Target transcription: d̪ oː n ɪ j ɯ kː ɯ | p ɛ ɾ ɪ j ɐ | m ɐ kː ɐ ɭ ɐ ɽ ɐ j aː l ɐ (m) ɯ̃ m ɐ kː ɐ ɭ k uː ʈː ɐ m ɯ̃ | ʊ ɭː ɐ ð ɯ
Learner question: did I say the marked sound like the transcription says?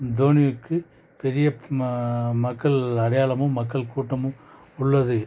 yes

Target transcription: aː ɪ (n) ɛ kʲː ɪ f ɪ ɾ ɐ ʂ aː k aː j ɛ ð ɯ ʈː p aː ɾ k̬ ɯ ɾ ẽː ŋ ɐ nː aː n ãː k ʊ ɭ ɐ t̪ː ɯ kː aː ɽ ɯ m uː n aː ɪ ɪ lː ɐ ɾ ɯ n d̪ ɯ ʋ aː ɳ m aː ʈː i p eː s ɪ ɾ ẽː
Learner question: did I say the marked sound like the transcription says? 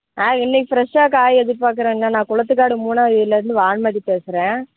no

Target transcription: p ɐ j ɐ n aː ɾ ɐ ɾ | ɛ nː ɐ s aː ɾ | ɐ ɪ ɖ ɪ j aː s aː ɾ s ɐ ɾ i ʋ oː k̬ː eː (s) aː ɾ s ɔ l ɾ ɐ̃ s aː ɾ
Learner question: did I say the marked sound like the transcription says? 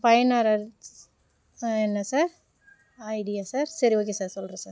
yes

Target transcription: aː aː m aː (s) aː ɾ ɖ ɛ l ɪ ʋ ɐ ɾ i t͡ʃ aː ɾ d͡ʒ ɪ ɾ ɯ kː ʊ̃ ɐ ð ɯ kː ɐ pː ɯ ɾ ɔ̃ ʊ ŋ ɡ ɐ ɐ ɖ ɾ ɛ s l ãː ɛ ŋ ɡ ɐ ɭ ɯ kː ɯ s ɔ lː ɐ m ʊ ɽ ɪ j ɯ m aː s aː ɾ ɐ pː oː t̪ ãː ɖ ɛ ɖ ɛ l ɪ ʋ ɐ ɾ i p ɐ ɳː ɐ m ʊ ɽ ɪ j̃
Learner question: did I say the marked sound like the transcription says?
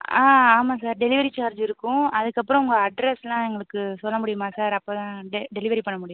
yes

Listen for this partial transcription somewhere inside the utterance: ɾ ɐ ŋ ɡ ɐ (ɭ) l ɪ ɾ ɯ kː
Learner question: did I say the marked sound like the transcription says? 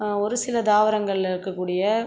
yes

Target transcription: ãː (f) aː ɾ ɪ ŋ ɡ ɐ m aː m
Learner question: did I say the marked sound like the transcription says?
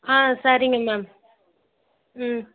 no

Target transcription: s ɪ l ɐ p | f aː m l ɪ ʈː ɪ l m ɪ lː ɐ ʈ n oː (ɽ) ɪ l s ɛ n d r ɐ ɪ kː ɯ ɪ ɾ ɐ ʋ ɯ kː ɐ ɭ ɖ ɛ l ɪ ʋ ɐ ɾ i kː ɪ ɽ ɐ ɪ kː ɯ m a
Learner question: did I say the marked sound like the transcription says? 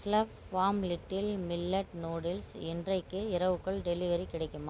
yes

